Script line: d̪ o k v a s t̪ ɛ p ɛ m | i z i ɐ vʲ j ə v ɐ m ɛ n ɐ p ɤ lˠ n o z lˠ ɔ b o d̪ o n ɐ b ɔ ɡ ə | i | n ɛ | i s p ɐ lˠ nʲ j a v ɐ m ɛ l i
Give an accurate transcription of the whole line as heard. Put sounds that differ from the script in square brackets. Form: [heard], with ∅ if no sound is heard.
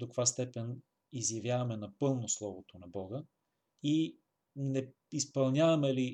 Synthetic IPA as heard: d̪ o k v a s t̪ ɛ p ɛ [n] | i z [j] ɐ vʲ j [a] v ɐ m ɛ n ɐ p ɤ lˠ n o [s] lˠ ɔ [v] o [t̪] o n ɐ b ɔ ɡ ə | i | n ɛ | i s p ɐ lˠ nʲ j a v ɐ m ɛ l i